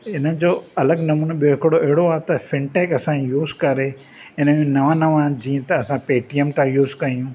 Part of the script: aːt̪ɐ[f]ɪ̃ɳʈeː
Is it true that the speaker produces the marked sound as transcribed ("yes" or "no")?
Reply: yes